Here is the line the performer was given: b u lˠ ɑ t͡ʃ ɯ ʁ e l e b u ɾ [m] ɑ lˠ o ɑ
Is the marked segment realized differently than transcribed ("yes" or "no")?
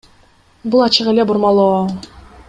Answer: no